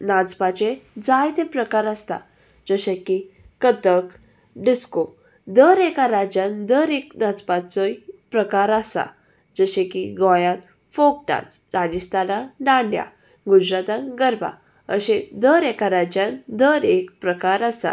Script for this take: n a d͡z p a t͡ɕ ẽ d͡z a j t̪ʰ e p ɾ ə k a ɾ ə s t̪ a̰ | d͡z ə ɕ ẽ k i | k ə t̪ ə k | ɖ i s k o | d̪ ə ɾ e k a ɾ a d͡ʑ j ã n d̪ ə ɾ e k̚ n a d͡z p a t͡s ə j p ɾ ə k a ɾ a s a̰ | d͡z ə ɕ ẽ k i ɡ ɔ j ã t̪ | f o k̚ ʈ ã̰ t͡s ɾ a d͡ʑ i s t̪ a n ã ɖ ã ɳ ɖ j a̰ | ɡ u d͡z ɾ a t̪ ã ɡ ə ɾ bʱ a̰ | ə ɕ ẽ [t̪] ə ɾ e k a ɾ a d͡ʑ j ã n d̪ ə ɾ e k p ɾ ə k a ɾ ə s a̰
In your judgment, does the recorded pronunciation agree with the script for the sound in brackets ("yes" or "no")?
no